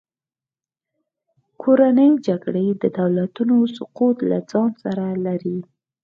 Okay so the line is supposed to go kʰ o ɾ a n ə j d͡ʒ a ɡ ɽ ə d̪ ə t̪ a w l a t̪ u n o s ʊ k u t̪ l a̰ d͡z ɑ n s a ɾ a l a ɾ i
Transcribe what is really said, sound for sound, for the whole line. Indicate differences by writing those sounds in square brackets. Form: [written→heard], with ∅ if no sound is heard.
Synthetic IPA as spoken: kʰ o ɾ a n ə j d͡ʒ a ɡ ɽ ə d̪ ə [t̪→d̪] a w l a t̪ u n o s ʊ [k→q] u t̪ l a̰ d͡z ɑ n s a ɾ a l a ɾ i